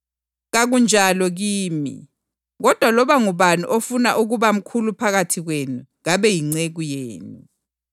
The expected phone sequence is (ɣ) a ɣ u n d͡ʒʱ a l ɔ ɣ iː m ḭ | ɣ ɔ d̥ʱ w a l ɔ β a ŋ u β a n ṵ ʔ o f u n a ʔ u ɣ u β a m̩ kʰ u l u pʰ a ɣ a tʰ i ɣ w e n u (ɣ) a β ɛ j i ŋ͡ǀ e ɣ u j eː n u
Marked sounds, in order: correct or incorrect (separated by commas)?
correct, correct